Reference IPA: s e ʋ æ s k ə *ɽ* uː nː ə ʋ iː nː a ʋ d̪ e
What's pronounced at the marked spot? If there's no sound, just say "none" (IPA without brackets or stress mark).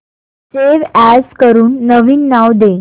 ɾ